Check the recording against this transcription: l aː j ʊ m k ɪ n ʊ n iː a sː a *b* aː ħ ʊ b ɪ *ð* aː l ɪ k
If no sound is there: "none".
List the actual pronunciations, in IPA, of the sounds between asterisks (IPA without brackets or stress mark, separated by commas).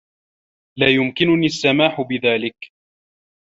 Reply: m, ð